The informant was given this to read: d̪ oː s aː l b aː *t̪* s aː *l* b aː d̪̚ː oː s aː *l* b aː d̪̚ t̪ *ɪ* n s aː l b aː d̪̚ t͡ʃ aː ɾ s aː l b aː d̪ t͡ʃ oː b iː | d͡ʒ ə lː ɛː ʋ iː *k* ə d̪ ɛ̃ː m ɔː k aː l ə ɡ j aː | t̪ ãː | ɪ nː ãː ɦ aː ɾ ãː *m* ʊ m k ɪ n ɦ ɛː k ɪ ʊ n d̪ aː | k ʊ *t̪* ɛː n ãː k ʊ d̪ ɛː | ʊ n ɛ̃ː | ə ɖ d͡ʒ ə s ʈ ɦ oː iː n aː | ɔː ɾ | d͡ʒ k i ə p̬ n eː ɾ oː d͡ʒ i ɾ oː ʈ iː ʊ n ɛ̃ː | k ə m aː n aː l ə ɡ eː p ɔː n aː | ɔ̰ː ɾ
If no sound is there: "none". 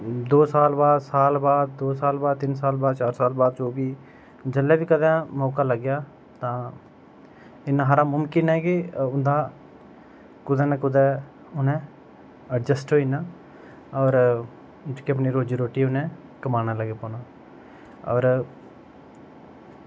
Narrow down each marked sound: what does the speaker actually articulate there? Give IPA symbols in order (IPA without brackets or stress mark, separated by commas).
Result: d̪, l, l, ɪ, k, m, d̪